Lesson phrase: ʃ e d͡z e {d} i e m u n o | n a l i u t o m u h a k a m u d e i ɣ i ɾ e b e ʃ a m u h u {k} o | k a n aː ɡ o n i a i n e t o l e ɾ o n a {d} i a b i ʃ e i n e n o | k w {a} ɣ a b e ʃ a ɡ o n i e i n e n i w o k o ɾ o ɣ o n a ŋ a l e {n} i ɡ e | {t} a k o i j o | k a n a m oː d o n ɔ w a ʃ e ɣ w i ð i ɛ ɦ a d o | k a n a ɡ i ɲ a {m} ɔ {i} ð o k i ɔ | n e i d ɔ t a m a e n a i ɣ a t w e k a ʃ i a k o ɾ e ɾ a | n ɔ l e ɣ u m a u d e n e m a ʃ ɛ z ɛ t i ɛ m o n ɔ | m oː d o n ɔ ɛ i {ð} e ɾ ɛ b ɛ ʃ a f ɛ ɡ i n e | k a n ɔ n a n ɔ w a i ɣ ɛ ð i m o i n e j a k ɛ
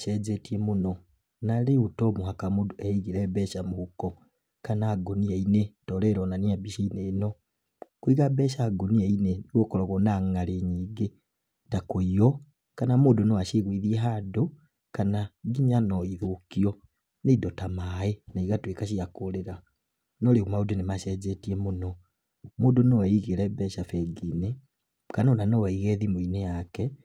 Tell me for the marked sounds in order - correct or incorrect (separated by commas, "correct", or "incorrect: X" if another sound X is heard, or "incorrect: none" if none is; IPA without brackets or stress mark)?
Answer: incorrect: t, correct, incorrect: n, incorrect: i, incorrect: ɲ, correct, incorrect: n, correct, incorrect: ɣ